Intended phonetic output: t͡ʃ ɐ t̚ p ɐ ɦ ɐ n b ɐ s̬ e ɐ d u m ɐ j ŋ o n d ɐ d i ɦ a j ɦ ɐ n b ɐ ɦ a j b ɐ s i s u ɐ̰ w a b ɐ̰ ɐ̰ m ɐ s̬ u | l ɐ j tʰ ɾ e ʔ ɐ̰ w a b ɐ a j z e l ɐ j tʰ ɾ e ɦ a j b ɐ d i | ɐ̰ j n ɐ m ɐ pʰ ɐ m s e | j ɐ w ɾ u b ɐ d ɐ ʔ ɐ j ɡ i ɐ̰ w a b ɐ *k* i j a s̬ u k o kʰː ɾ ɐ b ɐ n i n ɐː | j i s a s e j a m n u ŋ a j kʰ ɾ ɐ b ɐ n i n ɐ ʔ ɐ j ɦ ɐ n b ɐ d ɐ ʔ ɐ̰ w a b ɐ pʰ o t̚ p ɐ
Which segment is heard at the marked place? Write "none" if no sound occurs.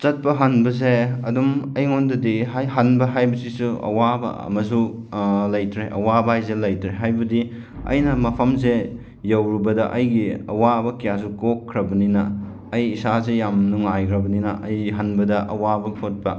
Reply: k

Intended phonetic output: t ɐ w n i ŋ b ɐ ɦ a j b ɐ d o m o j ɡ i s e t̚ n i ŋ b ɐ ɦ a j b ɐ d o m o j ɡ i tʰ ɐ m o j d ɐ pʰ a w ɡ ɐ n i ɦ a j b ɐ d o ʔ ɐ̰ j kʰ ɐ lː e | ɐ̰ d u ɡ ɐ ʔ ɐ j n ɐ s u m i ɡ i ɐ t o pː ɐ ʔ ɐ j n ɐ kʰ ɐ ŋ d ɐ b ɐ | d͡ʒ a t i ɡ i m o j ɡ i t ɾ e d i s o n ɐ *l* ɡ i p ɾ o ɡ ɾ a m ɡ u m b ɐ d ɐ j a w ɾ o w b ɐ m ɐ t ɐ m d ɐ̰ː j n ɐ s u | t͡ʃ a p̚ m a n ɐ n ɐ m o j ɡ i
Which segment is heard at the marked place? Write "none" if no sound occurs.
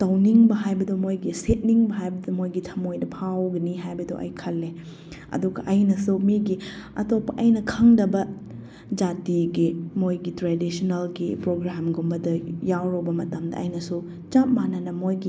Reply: l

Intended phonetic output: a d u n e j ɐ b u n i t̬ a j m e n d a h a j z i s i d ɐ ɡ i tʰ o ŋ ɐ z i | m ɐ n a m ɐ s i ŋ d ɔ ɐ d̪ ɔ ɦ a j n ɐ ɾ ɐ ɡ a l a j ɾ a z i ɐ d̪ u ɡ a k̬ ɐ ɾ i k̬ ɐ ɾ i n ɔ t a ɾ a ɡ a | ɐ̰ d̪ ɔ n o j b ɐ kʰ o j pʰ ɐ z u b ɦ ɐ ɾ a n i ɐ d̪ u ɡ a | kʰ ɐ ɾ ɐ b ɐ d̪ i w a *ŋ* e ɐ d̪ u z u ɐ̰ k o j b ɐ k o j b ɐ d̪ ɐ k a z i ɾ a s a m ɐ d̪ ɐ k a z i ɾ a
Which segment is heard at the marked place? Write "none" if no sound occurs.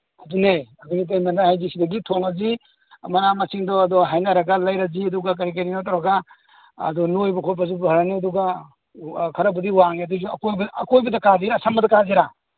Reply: ŋ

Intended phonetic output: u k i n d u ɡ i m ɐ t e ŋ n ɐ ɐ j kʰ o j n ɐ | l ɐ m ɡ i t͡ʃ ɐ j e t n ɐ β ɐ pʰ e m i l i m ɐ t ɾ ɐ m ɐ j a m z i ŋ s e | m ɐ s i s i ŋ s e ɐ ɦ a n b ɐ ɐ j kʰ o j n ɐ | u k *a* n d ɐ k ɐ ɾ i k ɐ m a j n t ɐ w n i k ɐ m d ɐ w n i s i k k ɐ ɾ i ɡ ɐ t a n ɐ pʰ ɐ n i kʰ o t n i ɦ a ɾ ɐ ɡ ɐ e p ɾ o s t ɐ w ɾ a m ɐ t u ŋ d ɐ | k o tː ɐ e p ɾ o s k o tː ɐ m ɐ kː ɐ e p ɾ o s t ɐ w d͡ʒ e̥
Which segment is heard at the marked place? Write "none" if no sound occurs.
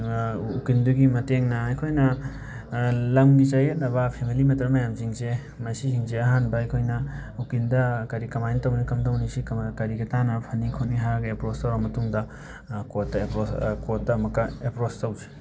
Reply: i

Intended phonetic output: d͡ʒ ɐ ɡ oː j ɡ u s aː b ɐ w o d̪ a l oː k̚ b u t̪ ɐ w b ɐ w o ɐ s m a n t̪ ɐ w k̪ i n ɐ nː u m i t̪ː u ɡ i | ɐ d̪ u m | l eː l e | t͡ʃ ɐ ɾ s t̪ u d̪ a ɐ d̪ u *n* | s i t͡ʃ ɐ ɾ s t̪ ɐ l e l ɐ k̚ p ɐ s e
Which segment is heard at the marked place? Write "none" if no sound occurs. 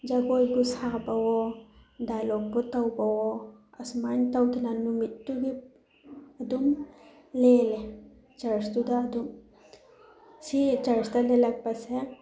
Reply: m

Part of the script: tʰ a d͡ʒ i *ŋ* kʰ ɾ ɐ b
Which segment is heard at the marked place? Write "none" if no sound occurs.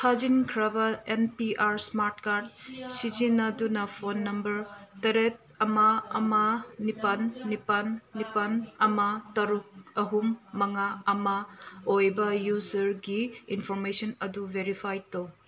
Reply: n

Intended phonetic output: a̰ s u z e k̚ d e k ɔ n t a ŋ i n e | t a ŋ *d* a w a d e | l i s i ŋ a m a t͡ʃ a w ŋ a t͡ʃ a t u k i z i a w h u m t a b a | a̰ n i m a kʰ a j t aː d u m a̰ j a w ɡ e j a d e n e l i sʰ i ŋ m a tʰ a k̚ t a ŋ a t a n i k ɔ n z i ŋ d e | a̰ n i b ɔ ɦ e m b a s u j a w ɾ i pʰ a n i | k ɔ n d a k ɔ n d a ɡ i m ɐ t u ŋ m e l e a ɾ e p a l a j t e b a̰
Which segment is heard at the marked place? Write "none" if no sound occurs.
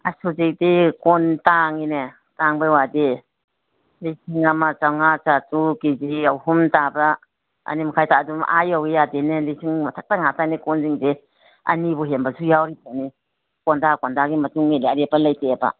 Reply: b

